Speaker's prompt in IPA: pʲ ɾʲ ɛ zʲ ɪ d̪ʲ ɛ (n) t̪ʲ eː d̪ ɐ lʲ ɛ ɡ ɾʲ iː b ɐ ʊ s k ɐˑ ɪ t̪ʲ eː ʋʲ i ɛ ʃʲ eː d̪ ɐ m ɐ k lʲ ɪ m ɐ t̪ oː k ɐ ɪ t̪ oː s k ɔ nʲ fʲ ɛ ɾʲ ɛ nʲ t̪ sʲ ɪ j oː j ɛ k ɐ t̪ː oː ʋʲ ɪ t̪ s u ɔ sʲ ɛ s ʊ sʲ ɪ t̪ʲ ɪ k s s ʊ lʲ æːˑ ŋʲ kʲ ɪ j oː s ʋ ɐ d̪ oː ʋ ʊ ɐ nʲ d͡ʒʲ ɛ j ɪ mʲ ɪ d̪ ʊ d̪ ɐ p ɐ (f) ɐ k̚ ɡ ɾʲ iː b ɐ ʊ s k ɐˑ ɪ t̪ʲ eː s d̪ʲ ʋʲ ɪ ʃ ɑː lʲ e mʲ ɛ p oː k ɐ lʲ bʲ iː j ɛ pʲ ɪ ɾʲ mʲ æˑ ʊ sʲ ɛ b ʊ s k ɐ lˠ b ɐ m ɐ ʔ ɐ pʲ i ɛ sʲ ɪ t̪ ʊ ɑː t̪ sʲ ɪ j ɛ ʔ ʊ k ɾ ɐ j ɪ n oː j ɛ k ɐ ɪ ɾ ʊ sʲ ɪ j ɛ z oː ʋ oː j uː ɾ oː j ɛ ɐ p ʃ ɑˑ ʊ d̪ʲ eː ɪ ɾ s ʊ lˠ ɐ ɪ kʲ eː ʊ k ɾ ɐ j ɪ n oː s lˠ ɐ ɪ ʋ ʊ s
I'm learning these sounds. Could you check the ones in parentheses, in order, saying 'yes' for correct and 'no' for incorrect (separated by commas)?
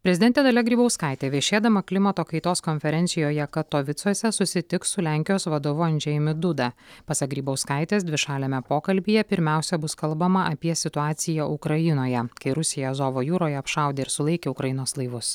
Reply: yes, no